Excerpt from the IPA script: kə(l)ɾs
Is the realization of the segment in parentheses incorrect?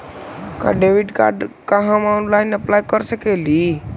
yes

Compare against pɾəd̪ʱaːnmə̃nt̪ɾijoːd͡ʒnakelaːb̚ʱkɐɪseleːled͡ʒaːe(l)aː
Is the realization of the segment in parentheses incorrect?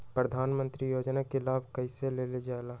no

